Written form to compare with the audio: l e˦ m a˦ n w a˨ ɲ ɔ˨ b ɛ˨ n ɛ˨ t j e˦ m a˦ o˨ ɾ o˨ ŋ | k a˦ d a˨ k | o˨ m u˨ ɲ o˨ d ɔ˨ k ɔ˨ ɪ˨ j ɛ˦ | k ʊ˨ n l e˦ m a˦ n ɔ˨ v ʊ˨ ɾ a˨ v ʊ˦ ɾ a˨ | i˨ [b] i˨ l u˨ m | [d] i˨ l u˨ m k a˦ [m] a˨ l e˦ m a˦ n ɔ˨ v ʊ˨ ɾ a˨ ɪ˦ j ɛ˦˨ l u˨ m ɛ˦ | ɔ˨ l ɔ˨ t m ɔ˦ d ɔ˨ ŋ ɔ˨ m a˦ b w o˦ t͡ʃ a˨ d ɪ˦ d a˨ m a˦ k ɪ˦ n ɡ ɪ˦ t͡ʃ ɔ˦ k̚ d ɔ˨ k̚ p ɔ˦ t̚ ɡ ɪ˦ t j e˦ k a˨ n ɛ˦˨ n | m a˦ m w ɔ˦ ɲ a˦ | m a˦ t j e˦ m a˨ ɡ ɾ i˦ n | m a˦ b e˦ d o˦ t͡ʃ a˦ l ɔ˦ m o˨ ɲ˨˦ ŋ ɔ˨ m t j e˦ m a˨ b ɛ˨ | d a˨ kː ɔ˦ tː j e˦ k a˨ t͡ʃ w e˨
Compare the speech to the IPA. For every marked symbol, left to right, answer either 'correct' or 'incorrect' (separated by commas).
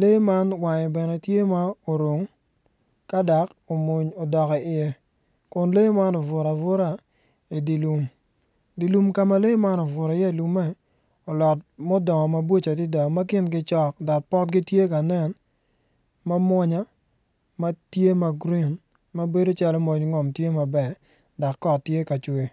incorrect, correct, correct